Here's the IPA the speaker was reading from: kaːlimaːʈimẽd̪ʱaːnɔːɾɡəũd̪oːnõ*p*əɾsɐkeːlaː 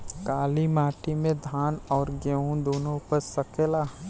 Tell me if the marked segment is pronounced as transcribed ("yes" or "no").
yes